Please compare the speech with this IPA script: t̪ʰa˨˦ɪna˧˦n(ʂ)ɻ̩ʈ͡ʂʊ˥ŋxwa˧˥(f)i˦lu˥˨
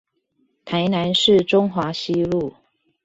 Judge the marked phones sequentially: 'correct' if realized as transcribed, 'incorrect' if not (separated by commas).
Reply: correct, incorrect